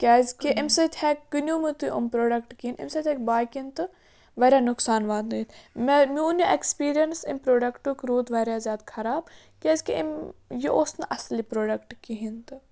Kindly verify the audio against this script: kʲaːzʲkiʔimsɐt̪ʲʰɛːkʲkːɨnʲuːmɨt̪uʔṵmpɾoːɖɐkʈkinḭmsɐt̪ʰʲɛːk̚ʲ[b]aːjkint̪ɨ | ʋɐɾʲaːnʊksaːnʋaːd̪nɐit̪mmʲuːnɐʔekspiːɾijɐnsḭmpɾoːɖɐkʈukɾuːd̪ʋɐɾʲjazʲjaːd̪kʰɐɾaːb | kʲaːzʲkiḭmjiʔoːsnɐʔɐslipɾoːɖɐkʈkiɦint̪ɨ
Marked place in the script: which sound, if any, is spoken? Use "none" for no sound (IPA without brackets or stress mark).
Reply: b